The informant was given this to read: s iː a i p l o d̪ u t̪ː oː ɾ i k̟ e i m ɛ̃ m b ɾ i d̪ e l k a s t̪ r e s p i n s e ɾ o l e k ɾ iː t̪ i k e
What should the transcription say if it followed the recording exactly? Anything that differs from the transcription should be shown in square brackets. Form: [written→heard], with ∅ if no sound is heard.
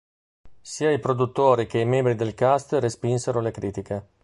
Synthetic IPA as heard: s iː a i p [l→ɾ] o d̪ u t̪ː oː ɾ i k̟ e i m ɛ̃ m b ɾ i d̪ e l k a s t̪ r e s p i n s e ɾ o l e k ɾ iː t̪ i k e

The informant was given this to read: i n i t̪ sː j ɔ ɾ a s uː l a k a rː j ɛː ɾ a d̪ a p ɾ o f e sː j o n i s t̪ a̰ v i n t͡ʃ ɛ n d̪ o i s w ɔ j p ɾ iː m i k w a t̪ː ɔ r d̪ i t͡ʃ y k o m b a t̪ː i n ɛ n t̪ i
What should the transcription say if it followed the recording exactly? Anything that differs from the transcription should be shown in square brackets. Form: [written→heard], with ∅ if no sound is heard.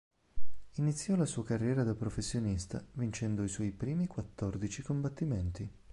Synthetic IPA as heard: i n i t̪ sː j ɔ [ɾ→l] a s uː [l→∅] a k a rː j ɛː ɾ a d̪ a p ɾ o f e sː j o n i s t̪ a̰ v i n t͡ʃ ɛ n d̪ o i s w ɔ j p ɾ iː m i k w a t̪ː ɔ r d̪ i t͡ʃ [y→i] k o m b a t̪ː i [n→m] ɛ n t̪ i

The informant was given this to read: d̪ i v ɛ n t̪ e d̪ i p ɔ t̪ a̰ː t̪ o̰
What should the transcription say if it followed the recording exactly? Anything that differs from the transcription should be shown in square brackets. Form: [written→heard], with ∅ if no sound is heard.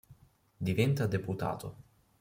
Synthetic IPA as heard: d̪ i v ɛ n t̪ [e→a] d̪ [i→e] p [ɔ→u] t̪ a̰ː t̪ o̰

